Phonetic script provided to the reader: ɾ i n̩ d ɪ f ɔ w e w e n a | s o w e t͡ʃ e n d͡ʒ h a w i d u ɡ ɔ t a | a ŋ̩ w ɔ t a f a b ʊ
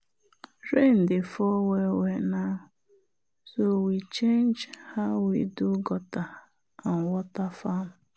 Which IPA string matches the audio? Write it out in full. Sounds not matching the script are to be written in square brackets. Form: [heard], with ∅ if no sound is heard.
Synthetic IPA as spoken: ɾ [e] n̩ d ɪ f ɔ w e w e n a | s o w [i] t͡ʃ e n d͡ʒ h a w i d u ɡ ɔ t a | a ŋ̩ w ɔ t a f a [m] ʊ